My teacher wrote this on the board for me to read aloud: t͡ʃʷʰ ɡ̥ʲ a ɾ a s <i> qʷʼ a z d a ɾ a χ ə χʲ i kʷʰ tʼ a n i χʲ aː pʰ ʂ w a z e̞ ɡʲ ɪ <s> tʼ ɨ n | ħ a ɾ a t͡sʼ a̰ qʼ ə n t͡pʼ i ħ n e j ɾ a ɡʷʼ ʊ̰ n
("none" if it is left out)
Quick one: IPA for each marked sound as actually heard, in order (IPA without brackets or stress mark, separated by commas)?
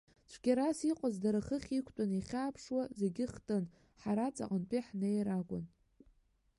i, χ